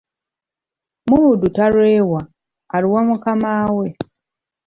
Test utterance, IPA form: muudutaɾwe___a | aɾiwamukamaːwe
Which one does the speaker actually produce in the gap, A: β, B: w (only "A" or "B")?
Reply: B